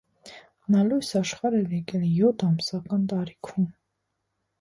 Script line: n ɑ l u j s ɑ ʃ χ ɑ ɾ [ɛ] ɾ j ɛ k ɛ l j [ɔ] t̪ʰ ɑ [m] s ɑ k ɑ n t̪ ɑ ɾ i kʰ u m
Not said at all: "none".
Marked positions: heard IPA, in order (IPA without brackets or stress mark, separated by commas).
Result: ɛ, ɔ, m